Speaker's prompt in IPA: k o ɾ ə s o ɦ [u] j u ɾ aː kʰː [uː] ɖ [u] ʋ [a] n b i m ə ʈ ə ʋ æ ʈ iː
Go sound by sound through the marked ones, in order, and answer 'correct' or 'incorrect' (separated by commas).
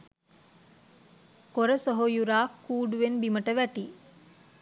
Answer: incorrect, correct, correct, incorrect